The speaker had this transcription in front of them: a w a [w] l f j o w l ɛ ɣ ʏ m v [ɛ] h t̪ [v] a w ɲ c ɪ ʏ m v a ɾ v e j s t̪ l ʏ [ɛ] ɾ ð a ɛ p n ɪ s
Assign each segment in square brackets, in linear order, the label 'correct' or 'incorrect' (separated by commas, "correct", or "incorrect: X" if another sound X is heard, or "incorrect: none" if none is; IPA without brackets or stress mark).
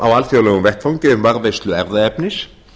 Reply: incorrect: none, correct, incorrect: f, correct